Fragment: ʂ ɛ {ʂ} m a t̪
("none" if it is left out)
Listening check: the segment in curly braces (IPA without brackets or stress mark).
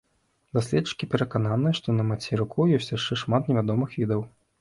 ʂ